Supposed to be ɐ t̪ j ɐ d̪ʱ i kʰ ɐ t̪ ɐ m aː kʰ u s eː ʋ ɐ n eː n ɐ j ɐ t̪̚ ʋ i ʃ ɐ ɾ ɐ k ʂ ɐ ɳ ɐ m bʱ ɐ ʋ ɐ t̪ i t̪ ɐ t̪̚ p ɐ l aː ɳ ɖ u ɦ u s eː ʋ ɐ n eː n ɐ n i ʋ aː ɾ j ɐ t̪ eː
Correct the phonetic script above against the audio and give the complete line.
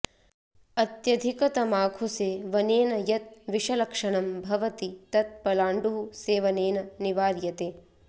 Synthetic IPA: ɐ t̪ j ɐ d̪ʱ i k ɐ t̪ ɐ m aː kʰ u s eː ʋ ɐ n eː n ɐ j ɐ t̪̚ ʋ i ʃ ɐ l ɐ k ʂ ɐ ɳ ɐ m bʱ ɐ ʋ ɐ t̪ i t̪ ɐ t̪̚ p ɐ l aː ɳ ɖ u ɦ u s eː ʋ ɐ n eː n ɐ n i ʋ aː ɾ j ɐ t̪ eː

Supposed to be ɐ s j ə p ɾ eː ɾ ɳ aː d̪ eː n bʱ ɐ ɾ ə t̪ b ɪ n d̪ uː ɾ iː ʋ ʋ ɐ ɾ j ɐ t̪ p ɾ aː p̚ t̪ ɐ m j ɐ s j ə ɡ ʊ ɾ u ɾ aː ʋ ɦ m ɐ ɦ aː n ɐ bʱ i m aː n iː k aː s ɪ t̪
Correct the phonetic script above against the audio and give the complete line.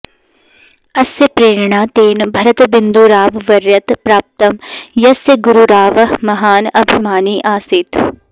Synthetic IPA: ɐ s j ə p ɾ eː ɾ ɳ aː t̪ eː n bʱ ɐ ɾ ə t̪ b ɪ n d̪ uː ɾ aː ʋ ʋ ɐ ɾ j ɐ t̪ p ɾ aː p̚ t̪ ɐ m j ɐ s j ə ɡ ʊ ɾ u ɾ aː ʋ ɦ m ɐ ɦ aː n ɐ bʱ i m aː n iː ʔ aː s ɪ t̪

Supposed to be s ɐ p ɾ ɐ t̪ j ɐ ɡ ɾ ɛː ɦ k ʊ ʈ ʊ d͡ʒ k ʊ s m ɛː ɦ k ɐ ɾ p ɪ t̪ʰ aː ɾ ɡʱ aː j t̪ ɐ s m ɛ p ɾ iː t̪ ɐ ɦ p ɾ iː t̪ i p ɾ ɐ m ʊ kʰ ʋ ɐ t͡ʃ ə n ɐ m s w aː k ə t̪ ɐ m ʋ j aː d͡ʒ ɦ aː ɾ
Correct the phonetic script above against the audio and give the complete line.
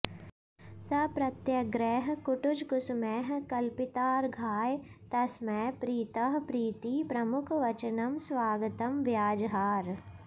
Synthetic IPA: s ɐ p ɾ ɐ t̪ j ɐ ɡ ɾ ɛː ɦ k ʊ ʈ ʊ d͡ʒ k ʊ s m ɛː ɦ k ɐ l p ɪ t̪ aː ɾ ɡʱ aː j t̪ ɐ s m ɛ p ɾ iː t̪ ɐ ɦ p ɾ iː t̪ i p ɾ ɐ m ʊ kʰ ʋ ɐ t͡ʃ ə n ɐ m s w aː ɡ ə t̪ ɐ m ʋ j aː d͡ʒ ɦ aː ɾ

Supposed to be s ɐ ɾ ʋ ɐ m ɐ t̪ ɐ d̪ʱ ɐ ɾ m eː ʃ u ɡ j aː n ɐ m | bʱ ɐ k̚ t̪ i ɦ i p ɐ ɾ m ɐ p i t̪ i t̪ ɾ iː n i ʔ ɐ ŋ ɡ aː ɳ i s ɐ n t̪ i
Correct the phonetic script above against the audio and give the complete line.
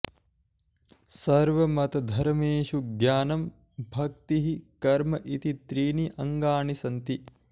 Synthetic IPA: s ɐ ɾ ʋ ɐ m ɐ t̪ ɐ d̪ʱ ɐ ɾ m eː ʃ u ɡ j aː n ɐ m | bʱ ɐ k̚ t̪ i ɦ i k ɐ ɾ m ɐ ʔ i t̪ i t̪ ɾ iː n i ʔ ɐ ŋ ɡ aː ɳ i s ɐ n t̪ i

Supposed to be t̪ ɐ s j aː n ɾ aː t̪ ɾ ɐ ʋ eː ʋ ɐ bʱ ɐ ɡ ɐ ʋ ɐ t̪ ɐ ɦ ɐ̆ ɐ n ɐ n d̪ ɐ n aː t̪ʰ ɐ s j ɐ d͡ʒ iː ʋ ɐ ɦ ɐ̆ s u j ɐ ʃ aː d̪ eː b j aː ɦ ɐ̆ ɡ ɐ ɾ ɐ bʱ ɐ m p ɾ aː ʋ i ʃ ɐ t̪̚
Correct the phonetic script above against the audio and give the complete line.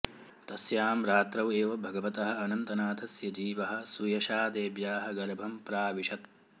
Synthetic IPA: t̪ ɐ s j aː m ɾ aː t̪ ɾ ɐ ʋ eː ʋ ɐ bʱ ɐ ɡ ɐ ʋ ɐ t̪ ɐ ɦ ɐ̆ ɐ n ɐ n t̪ ɐ n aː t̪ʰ ɐ s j ɐ d͡ʒ iː ʋ ɐ ɦ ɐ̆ s u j ɐ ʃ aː d̪ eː b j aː ɦ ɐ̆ ɡ ɐ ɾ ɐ bʱ ɐ m p ɾ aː ʋ i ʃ ɐ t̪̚

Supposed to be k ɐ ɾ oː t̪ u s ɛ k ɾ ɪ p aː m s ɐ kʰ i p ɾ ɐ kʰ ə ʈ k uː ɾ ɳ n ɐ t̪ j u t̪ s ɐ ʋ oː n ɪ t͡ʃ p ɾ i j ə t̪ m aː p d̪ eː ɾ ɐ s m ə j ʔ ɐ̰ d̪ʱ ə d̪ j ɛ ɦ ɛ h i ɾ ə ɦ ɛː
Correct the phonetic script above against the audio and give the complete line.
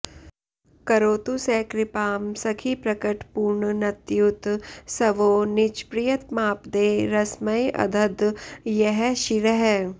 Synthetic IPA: k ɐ ɾ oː t̪ u s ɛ k ɾ ɪ p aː m s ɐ kʰ i p ɾ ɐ k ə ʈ p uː ɾ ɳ n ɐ t̪ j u t̪ s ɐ ʋ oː n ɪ t͡ʃ p ɾ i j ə t̪ m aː p d̪ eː ɾ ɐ s m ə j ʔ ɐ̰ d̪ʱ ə d̪ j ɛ ɦ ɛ ʃ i ɾ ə ɦ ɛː

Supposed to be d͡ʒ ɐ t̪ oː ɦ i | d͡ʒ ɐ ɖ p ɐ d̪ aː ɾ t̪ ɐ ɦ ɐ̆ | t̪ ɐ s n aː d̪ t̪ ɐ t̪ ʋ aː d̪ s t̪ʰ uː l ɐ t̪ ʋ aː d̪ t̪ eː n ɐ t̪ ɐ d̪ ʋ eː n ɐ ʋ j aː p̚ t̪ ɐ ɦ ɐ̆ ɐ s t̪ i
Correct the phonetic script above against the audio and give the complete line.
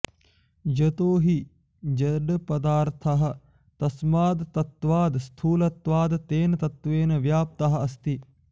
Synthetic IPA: d͡ʒ ɐ t̪ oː ɦ i | d͡ʒ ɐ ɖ p ɐ d̪ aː ɾ t̪ʰ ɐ ɦ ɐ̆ | t̪ ɐ s m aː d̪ t̪ ɐ t̪ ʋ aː d̪ s t̪ʰ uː l ɐ t̪ ʋ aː d̪ t̪ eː n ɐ t̪ ɐ t̪ ʋ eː n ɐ ʋ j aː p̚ t̪ ɐ ɦ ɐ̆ ɐ s t̪ i

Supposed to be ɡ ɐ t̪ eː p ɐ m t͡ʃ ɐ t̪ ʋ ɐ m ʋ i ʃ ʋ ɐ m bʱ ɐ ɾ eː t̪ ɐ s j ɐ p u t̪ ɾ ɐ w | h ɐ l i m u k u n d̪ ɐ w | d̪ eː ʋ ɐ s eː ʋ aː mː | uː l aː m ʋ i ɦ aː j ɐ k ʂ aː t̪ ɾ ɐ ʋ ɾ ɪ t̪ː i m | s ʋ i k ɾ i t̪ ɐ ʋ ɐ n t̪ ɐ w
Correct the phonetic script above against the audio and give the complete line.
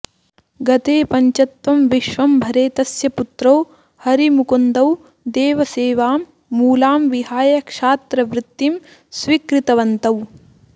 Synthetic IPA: ɡ ɐ t̪ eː p ɐ ɲ t͡ʃ ɐ t̪ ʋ ɐ m ʋ i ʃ ʋ ɐ m bʱ ɐ ɾ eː t̪ ɐ s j ɐ p u t̪ ɾ ɐ w | h ɐ ɾ i m u k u n d̪ ɐ w | d̪ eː ʋ ɐ s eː ʋ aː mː | uː l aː m ʋ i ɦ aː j ɐ k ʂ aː t̪ ɾ ɐ ʋ ɾ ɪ t̪ː i m | s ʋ i k ɾ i t̪ ɐ ʋ ɐ n t̪ ɐ w

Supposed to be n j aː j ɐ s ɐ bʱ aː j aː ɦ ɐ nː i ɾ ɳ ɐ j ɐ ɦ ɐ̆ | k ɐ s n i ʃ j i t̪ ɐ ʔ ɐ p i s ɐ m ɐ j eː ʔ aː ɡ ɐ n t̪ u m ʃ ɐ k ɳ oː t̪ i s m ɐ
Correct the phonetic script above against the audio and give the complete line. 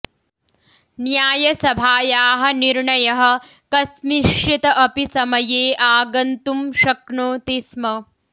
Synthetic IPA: n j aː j ɐ s ɐ bʱ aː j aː ɦ ɐ n i ɾ ɳ ɐ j ɐ ɦ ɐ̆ | k ɐ s m i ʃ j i t̪ ɐ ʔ ɐ p i s ɐ m ɐ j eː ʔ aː ɡ ɐ n t̪ u m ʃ ɐ k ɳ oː t̪ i s m ɐ

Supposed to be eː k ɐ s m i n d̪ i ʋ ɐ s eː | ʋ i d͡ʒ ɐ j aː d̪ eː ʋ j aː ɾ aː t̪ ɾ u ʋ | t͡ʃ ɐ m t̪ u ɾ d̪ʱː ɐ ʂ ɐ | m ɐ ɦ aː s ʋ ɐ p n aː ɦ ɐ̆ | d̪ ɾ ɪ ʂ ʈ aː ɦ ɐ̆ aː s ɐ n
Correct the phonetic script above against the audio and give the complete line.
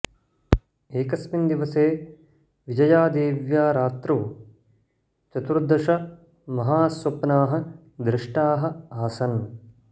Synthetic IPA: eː k ɐ s m i n d̪ i ʋ ɐ s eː | ʋ i d͡ʒ ɐ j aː d̪ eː ʋ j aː ɾ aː t̪ ɾ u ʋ | t͡ʃ ɐ t̪ u ɾ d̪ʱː ɐ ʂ ɐ | m ɐ ɦ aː s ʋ ɐ p n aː ɦ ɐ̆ | d̪ ɾ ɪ ʂ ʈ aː ɦ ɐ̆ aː s ɐ n

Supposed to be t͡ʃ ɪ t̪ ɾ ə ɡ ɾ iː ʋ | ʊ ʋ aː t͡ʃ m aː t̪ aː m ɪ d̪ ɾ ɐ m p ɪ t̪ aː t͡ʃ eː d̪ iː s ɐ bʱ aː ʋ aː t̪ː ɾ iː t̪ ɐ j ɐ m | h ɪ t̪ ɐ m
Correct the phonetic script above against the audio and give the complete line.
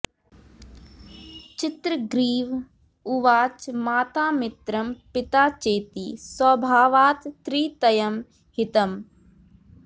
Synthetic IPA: t͡ʃ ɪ t̪ ɾ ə ɡ ɾ iː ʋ | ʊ ʋ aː t͡ʃ m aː t̪ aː m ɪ t̪ ɾ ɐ m p ɪ t̪ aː t͡ʃ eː t̪ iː s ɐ bʱ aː ʋ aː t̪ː ɾ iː t̪ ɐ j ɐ m | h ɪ t̪ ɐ m

